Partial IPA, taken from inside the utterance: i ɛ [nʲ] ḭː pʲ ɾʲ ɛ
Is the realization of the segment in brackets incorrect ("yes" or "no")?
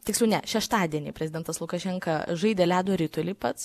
no